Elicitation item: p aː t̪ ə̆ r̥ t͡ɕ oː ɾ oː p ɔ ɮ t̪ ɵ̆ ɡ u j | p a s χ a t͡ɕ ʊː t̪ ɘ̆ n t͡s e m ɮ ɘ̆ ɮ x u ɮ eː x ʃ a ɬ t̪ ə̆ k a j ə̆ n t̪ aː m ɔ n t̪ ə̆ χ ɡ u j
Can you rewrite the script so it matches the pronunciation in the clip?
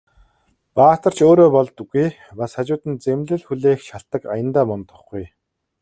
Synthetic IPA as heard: p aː t̪ ə̆ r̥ t͡ɕ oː ɾ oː p ɔ ɮ t̪ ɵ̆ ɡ u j | p a s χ a t͡ɕ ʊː t̪ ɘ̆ n t͡s e m ɮ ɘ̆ ɮ x u ɮ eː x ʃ a ɬ t̪ ə̆ k a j ə̆ n t̪ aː m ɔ n t̪ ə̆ χ ɡ u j